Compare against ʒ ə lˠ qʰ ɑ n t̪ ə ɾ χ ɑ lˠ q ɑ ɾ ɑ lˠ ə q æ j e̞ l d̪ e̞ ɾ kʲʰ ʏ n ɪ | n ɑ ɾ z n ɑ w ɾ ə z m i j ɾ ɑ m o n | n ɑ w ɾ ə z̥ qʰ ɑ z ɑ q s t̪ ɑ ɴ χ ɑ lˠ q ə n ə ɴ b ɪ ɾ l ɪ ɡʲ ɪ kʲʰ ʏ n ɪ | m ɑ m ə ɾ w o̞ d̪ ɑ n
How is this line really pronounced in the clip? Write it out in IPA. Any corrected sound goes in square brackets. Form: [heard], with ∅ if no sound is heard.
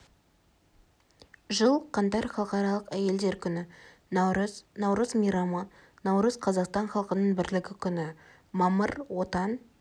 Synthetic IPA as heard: ʒ ə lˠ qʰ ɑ n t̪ [ɑ] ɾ χ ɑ lˠ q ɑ ɾ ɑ lˠ ə q æ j e̞ l d̪ e̞ ɾ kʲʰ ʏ n ɪ | n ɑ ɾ z n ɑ w ɾ ə z m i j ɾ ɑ m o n | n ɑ w ɾ ə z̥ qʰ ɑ z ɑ q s t̪ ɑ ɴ χ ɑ lˠ q ə n ə ɴ b ɪ ɾ l ɪ ɡʲ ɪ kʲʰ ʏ n ɪ | m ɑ m ə ɾ w o̞ [t̪] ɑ n

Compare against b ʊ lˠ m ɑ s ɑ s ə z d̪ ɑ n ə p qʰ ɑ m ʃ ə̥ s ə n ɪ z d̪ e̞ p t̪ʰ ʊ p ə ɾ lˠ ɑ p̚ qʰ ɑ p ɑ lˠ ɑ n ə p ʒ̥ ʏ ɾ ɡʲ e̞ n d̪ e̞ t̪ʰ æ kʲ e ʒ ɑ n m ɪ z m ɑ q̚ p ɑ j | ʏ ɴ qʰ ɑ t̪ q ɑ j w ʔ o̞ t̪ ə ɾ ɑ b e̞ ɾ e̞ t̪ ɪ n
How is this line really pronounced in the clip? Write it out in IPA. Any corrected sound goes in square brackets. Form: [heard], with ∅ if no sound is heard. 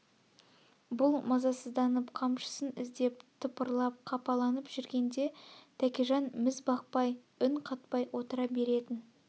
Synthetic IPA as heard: b ʊ lˠ m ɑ [z] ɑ s ə z d̪ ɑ n ə p qʰ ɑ m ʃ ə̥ s ə n ɪ z d̪ e̞ p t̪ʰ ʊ p ə ɾ lˠ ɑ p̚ qʰ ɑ p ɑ lˠ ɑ n ə p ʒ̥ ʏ ɾ ɡʲ e̞ n d̪ e̞ t̪ʰ æ kʲ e ʒ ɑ n m ɪ z [b] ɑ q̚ p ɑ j | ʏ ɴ qʰ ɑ t̪ [p] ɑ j w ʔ o̞ t̪ ə ɾ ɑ b e̞ ɾ e̞ t̪ ɪ n

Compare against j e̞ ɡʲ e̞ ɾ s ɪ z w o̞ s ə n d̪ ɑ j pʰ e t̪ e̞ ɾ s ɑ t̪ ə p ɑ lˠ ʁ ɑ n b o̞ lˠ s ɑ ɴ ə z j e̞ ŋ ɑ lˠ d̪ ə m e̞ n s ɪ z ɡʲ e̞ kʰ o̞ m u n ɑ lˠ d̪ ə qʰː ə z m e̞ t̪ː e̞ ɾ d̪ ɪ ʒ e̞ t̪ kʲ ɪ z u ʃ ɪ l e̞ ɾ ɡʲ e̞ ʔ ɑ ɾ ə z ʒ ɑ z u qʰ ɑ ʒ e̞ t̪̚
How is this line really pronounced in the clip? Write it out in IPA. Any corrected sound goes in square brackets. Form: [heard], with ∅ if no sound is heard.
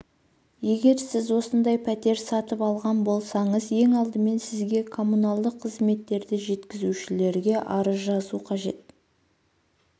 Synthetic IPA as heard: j e̞ ɡʲ e̞ ɾ s ɪ z w o̞ s ə n d̪ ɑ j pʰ [æ] t̪ e̞ ɾ s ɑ t̪ ə p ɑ lˠ ʁ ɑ n b o̞ lˠ s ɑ ɴ ə z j e̞ ŋ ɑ lˠ d̪ ə m e̞ n s ɪ z ɡʲ e̞ kʰ o̞ m u n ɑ lˠ d̪ ə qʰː ə z m e̞ t̪ː e̞ ɾ d̪ ɪ ʒ e̞ t̪ kʲ ɪ z u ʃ ɪ l e̞ ɾ ɡʲ e̞ ʔ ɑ ɾ ə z ʒ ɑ z u qʰ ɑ ʒ e̞ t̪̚

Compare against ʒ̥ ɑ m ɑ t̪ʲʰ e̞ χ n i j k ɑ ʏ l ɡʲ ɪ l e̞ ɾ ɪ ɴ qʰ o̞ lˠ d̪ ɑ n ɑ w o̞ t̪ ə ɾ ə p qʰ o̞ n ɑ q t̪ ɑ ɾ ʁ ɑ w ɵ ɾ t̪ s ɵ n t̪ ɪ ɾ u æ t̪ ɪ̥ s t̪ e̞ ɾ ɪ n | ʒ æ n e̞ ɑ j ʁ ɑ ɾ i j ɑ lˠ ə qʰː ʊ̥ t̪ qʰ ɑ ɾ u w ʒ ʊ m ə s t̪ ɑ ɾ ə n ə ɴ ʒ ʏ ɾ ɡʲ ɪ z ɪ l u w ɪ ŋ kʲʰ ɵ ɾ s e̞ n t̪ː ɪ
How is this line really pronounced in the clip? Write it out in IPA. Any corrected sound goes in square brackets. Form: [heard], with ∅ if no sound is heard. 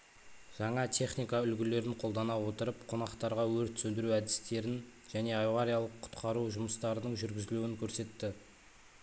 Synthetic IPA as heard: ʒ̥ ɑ [ɴ] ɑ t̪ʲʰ e̞ χ n i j k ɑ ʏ l ɡʲ ɪ l e̞ ɾ ɪ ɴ qʰ o̞ lˠ d̪ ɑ n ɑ w o̞ t̪ ə ɾ ə p qʰ o̞ n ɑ q t̪ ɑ ɾ ʁ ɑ w ɵ ɾ t̪ s ɵ n [d̪] ɪ ɾ u æ [d̪] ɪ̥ s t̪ e̞ ɾ ɪ n | ʒ æ n e̞ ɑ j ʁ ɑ ɾ i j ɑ lˠ ə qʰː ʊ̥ t̪ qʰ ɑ ɾ u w ʒ ʊ m ə s t̪ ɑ ɾ ə n ə ɴ ʒ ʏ ɾ ɡʲ ɪ z ɪ l u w ɪ ŋ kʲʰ ɵ ɾ s e̞ [∅] t̪ː ɪ

